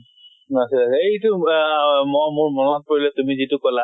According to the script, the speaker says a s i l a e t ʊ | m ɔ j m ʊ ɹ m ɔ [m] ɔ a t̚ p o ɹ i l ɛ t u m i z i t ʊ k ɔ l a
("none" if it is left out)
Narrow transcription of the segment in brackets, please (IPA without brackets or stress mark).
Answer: n